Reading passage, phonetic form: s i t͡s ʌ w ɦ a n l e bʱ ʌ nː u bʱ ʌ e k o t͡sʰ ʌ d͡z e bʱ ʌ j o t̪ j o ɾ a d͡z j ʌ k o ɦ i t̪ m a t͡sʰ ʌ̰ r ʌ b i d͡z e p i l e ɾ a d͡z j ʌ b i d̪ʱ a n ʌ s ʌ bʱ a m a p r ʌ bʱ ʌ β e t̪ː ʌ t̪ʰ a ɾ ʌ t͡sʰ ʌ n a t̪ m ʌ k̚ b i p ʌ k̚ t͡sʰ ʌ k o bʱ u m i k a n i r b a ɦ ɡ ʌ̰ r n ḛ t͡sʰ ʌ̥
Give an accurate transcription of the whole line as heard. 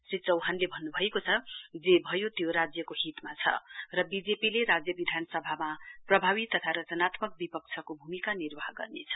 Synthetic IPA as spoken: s i t͡s ʌ w ɦ a n l e bʱ ʌ nː u bʱ ʌ e k o t͡sʰ ʌ d͡z e bʱ ʌ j o t̪ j o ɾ a d͡z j ʌ k o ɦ i t̪ m a t͡sʰ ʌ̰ r ʌ b i d͡z e p i l e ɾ a d͡z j ʌ b i d̪ʱ a n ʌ s ʌ bʱ a m a p r ʌ bʱ a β i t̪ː ʌ t̪ʰ a ɾ ʌ t͡s ʌ n a t̪ m ʌ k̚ b i p ʌ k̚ t͡sʰ ʌ k o bʱ u m i k a n i r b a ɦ ɡ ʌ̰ r n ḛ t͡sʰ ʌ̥